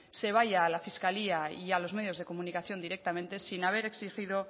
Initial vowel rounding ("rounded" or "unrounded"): unrounded